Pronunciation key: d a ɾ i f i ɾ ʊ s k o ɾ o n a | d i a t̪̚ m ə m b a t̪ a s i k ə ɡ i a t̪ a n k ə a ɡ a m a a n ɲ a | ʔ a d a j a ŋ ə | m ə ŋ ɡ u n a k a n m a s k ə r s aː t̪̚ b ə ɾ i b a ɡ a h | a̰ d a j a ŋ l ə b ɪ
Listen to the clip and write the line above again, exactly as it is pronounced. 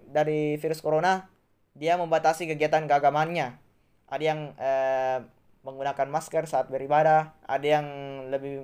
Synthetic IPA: d a ɾ i f i ɾ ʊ s k o ɾ o n a | d i a m ə m b a t̪ a s i k ə ɡ i a t̪ a n k ə a ɡ a m a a n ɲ a | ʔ a d a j a ŋ ə | m ə ŋ ɡ u n a k a n m a s k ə r s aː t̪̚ b ə ɾ i b a d a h | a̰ d a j a ŋ l ə b ɪ